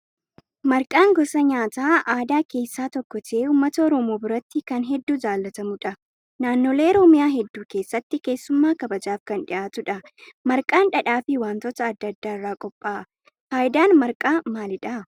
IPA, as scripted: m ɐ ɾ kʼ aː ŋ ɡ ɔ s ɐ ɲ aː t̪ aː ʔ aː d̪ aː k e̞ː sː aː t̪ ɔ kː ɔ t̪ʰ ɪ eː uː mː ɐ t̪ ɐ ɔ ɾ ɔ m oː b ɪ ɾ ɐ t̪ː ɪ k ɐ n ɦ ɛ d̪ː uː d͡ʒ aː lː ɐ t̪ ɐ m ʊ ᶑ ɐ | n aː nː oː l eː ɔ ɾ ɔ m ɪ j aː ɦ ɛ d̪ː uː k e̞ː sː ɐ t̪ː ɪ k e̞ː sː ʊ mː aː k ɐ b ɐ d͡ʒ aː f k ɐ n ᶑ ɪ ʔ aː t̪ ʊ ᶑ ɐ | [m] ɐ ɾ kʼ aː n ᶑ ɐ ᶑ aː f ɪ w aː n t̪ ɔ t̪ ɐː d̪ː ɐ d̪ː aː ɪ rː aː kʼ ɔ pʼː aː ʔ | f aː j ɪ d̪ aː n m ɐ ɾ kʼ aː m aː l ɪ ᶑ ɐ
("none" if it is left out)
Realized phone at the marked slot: m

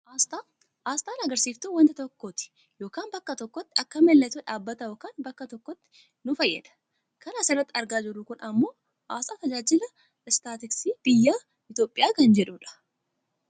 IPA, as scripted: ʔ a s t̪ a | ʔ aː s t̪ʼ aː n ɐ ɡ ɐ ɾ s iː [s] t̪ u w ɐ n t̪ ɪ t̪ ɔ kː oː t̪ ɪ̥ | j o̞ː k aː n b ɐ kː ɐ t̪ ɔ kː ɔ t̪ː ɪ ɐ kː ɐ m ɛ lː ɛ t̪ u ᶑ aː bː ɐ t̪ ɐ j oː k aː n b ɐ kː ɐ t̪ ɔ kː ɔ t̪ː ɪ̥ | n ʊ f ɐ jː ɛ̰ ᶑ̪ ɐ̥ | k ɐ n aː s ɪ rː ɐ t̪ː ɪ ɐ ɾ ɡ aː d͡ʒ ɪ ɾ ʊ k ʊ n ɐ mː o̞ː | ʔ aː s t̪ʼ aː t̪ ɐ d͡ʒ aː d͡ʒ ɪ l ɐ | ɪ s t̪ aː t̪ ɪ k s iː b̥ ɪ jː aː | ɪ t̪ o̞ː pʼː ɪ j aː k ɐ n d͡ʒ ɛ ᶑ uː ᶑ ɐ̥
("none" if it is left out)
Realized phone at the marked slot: f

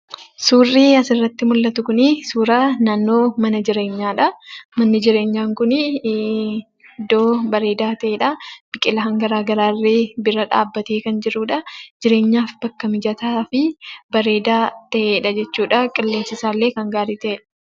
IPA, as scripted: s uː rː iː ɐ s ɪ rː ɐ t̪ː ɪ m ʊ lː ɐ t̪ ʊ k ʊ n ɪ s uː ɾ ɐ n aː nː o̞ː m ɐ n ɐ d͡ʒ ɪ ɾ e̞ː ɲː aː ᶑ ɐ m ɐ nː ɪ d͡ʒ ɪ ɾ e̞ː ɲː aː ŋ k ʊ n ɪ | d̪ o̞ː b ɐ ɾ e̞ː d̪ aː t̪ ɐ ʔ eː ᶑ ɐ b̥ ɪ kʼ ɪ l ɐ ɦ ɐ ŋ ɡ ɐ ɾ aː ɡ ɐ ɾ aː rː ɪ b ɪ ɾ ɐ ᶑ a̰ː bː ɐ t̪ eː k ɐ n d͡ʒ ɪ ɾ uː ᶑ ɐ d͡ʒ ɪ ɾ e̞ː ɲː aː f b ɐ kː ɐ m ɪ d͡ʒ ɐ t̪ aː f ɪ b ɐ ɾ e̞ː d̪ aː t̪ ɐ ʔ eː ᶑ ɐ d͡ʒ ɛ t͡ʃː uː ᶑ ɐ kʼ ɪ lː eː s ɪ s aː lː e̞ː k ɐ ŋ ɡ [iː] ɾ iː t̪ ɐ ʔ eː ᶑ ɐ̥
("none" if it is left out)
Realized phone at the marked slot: aː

